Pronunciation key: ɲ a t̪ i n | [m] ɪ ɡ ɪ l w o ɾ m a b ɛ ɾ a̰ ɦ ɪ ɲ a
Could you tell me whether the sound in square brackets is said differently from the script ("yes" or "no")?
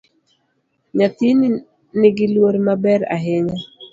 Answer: yes